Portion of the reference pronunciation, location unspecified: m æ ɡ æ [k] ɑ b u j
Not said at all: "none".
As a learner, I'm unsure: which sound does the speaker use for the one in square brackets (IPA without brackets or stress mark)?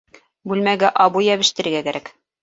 ʔ